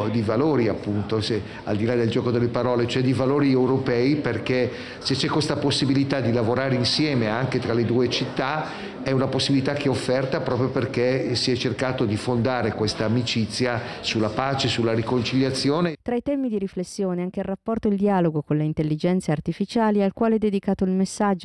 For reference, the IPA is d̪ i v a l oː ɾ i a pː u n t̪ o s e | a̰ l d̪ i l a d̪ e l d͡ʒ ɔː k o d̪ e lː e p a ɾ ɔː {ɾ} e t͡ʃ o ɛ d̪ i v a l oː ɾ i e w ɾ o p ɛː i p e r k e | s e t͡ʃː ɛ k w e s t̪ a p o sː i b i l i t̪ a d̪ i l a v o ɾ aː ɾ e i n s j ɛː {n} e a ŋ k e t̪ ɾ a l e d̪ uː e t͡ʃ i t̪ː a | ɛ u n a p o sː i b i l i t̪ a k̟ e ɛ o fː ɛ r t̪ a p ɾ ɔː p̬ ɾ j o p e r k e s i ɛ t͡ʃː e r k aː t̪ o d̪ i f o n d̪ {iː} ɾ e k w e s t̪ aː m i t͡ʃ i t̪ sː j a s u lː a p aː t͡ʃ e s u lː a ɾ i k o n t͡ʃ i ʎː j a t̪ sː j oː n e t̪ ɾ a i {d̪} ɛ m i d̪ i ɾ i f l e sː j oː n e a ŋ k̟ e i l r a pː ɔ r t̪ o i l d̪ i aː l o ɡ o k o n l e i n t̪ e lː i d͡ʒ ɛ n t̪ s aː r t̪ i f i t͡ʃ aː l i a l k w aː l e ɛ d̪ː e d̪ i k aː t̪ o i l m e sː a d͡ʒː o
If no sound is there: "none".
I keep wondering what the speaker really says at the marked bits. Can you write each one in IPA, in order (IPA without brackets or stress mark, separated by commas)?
l, m, aː, t̪